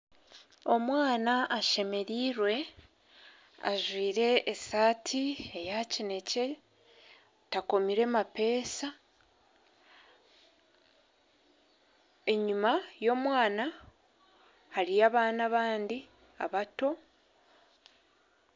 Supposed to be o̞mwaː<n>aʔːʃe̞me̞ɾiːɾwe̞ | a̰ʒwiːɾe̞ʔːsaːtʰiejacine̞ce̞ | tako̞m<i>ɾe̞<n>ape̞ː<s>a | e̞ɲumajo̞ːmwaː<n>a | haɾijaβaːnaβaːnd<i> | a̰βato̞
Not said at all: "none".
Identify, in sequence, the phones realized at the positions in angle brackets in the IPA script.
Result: n, i, m, s, n, i

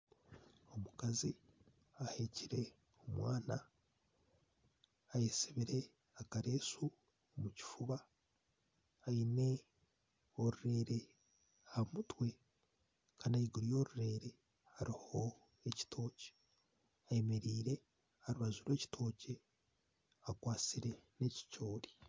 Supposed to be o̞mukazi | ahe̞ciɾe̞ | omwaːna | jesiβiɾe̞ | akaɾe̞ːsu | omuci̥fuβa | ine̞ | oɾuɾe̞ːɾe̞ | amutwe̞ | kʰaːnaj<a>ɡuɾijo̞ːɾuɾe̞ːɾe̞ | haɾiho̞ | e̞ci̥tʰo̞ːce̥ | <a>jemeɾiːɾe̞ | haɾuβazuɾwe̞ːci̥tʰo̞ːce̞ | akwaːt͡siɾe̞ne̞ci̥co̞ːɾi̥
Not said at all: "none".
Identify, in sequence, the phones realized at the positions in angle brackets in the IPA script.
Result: i, a

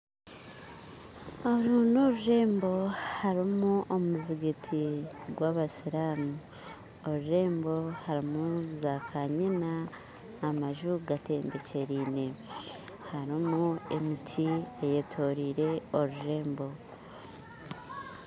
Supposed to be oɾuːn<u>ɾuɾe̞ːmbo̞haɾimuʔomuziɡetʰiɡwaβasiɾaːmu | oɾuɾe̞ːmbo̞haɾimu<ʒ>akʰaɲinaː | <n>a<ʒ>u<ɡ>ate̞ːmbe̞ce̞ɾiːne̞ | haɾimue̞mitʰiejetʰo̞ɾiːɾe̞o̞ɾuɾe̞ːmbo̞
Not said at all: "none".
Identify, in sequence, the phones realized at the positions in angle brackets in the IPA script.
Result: o, z, m, ʒ, ɡ

